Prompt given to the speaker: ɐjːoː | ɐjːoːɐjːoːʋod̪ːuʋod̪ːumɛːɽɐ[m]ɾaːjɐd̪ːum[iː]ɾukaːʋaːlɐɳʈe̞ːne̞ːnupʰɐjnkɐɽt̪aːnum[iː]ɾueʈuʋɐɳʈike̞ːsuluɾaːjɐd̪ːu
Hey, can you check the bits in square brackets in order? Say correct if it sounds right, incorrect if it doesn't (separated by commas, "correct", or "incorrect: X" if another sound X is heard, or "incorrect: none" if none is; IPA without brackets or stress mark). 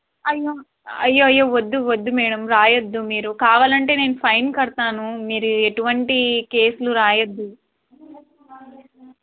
correct, correct, correct